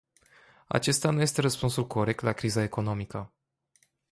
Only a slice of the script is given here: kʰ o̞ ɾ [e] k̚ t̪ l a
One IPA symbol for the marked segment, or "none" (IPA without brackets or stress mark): e